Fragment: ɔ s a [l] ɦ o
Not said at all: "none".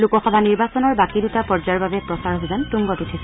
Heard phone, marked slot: ɹ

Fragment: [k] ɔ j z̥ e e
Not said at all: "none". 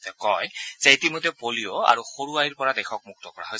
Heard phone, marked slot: k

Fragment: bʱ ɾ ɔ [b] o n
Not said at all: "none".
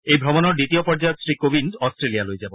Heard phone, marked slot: m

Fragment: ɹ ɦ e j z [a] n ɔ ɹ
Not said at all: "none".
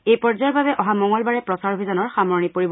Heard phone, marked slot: a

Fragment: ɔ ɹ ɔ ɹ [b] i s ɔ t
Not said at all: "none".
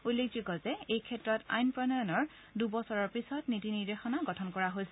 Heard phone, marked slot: p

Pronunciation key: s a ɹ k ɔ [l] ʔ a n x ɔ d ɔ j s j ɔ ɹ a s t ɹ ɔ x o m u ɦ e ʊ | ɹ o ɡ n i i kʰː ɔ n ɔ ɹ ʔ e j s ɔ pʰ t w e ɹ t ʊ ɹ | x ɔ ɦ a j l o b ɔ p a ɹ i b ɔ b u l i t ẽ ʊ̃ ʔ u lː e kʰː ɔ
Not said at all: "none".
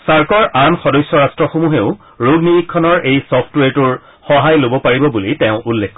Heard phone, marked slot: ɹ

